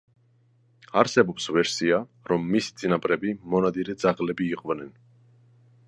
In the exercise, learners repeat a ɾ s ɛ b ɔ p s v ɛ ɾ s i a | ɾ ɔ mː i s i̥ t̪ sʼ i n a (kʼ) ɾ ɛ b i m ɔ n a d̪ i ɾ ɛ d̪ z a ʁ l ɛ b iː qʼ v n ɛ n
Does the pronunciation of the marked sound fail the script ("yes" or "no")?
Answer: yes